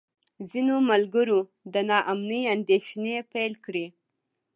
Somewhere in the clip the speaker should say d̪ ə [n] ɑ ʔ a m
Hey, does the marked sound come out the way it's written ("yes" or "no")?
yes